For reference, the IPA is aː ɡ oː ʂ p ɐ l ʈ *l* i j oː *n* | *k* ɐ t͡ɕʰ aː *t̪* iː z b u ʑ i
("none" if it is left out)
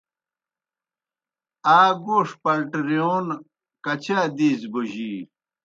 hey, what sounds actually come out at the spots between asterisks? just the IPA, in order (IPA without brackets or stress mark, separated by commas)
ɾ, n, k, d̪